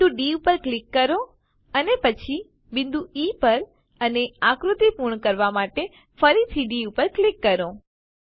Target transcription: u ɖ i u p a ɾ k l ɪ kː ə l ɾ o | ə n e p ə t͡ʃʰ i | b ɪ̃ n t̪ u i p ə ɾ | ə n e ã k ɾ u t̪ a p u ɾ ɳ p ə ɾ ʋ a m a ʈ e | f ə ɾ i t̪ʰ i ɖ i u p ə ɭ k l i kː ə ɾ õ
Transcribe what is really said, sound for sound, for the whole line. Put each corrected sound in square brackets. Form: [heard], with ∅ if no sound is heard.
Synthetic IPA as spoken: u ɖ i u p [ə] ɾ k l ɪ kː ə [∅] ɾ o | ə n e p ə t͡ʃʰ i | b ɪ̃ n [d̪] u i p ə ɾ | ə n e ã k ɾ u t̪ [i] p u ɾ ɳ [k] ə ɾ ʋ a m a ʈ e | f ə ɾ i t̪ʰ i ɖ i u p ə [ɾ] k l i kː ə ɾ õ